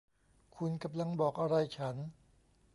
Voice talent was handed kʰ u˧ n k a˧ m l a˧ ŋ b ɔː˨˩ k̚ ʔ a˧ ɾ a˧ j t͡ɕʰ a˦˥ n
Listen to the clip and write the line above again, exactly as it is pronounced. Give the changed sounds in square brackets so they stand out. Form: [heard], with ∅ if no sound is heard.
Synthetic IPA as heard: kʰ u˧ n k a˧ m l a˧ ŋ b ɔː˨˩ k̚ ʔ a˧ ɾ a˧ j t͡ɕʰ a˦˥ n